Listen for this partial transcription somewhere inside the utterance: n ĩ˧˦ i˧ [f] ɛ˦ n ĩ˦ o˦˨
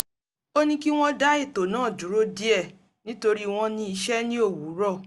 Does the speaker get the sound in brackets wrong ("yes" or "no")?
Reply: yes